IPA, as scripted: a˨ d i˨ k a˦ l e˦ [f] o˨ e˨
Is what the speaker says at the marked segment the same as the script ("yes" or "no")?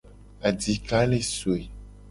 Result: no